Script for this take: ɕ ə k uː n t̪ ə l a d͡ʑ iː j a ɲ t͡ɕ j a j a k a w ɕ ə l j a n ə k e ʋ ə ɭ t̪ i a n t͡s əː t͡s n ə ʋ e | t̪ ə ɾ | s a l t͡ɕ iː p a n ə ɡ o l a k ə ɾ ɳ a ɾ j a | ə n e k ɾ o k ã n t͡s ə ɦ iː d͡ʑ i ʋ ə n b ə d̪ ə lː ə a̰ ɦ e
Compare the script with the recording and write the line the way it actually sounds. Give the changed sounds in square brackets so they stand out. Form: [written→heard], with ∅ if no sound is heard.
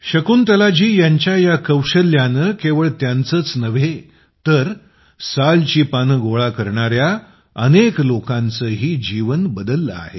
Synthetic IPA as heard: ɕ ə k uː n t̪ ə l a d͡ʑ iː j a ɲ t͡ɕ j a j a k [a→ə] w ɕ ə l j a n ə k e ʋ ə ɭ t̪ [i→j] a n t͡s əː t͡s n ə ʋ e | t̪ ə ɾ | s a l t͡ɕ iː p a n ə ɡ o [l→ɭ] a k ə ɾ ɳ a ɾ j a | ə n e k [ɾ→l] o k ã n t͡s ə ɦ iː d͡ʑ i ʋ ə n b ə d̪ ə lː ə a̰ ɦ e